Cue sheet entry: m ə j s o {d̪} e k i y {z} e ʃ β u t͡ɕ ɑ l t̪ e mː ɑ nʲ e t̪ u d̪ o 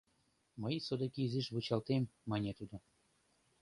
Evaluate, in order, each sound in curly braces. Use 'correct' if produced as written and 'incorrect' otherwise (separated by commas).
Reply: correct, correct